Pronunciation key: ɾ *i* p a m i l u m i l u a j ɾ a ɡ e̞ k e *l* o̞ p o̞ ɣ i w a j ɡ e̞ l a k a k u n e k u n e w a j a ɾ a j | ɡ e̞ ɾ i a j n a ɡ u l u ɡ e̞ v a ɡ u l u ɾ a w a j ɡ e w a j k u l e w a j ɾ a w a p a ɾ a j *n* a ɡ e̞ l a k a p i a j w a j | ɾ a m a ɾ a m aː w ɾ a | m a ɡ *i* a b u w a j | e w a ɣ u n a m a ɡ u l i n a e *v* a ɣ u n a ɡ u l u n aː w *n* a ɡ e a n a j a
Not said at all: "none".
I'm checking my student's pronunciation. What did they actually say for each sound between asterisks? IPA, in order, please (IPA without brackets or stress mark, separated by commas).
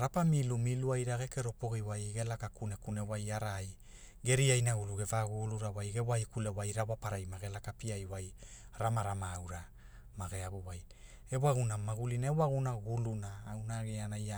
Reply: a, ɾ, m, e, w, n